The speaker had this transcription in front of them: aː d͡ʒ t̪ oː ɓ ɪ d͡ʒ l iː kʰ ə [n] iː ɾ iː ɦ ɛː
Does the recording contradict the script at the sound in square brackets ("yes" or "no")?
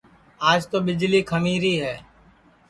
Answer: yes